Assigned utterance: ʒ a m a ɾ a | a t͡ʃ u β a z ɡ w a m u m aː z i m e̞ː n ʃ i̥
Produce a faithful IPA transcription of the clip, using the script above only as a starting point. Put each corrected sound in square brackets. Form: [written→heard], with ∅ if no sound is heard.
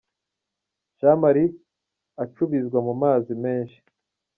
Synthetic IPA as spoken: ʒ a m a ɾ [a→i] | a t͡ʃ u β [a→i] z ɡ w a m u m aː z i m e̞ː n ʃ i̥